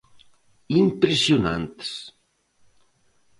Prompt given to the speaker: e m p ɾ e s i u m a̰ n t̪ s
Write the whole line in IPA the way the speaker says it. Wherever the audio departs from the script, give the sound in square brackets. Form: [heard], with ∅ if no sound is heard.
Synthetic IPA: [i] m p ɾ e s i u [n] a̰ n t̪ s